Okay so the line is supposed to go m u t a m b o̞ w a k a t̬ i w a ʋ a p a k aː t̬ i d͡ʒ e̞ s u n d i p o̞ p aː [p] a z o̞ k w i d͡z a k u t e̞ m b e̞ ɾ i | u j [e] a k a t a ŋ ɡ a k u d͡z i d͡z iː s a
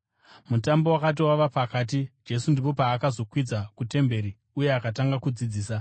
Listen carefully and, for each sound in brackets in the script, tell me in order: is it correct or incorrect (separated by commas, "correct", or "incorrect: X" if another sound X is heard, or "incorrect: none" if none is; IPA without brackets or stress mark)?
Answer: incorrect: k, correct